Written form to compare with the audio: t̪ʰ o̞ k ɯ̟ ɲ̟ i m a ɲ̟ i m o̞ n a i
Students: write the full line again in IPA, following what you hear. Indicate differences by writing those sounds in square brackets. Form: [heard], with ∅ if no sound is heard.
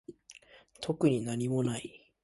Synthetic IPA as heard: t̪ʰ o̞ k ɯ̟ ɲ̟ i [n] a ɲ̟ i m o̞ n a i